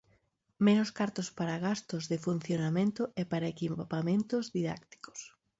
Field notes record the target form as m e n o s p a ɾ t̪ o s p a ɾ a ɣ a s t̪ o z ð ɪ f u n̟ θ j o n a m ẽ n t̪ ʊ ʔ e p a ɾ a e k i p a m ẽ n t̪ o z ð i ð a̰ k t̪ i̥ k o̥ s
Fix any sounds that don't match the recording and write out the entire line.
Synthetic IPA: m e n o s k a ɾ t̪ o s p a ɾ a ɣ a s t̪ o z ð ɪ f u n̟ θ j o n a m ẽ n t̪ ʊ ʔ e p a ɾ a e k i p a m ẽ n t̪ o z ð i ð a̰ k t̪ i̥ k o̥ s